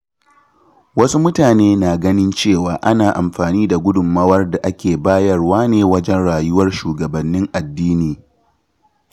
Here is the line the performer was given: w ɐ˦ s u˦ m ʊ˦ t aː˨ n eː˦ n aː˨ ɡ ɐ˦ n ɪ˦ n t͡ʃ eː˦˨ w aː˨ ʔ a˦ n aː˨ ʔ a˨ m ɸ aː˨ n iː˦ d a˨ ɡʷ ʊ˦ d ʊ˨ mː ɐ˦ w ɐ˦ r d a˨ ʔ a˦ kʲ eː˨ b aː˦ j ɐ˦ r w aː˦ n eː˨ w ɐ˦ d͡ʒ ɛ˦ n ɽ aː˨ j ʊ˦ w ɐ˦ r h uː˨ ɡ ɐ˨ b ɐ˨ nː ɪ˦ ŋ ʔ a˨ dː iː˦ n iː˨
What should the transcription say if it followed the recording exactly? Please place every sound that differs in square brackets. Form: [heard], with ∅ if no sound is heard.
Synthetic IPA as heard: w ɐ˦ s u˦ m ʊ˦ t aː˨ n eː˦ n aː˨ ɡ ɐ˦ n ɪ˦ n t͡ʃ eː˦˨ w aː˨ ʔ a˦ n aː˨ ʔ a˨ m ɸ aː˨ n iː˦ d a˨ ɡʷ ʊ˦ d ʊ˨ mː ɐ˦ w ɐ˦ r d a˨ ʔ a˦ kʲ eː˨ b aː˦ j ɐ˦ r w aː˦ n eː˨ w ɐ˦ d͡ʒ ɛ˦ n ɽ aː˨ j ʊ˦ w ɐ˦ r [ʃ] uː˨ ɡ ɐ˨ b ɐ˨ nː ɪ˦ ŋ ʔ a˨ dː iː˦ n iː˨